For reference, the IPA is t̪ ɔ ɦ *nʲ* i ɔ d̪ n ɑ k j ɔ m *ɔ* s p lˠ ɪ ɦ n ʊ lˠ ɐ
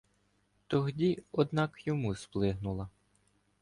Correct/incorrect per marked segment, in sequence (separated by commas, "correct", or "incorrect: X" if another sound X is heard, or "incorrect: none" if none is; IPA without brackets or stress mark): incorrect: dʲ, incorrect: u